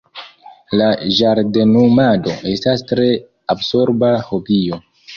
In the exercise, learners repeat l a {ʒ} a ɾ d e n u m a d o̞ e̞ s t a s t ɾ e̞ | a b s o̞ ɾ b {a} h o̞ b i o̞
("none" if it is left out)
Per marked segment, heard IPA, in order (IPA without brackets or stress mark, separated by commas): ʒ, a